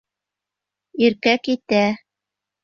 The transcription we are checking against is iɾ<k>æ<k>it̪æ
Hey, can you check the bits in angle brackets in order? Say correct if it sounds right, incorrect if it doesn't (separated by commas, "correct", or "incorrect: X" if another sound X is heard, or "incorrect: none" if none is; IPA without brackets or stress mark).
correct, correct